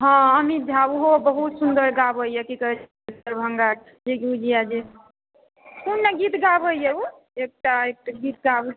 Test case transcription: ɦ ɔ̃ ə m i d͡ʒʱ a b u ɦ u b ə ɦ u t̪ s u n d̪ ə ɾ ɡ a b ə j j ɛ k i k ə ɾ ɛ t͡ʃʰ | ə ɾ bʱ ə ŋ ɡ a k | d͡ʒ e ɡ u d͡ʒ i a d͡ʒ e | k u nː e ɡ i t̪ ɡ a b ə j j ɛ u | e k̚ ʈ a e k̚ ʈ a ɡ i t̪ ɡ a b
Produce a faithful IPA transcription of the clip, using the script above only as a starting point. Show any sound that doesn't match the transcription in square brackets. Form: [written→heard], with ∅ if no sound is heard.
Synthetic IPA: ɦ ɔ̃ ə m i d͡ʒʱ a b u ɦ [u→o] b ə ɦ u t̪ s u n d̪ ə ɾ ɡ a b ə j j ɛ k i k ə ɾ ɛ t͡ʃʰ | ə ɾ bʱ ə ŋ ɡ a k | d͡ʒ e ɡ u d͡ʒ i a d͡ʒ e | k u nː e ɡ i t̪ ɡ a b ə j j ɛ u | e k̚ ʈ a e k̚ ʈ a ɡ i t̪ ɡ a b